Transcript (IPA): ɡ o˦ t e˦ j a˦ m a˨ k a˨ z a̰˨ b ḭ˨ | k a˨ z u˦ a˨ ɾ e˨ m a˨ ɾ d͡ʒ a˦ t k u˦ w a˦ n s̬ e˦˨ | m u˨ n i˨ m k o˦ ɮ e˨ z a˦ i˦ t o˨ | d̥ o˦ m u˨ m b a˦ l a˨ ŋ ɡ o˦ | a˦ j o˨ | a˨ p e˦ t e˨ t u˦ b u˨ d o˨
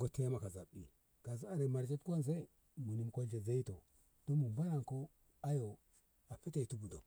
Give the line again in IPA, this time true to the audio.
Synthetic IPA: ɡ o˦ t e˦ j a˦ m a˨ k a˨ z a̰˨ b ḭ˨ | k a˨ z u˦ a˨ ɾ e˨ m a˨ ɾ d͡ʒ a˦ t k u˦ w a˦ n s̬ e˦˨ | m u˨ n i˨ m k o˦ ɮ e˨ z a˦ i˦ t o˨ | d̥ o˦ m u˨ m b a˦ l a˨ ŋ k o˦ | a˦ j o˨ | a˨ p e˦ t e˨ t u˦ b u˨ d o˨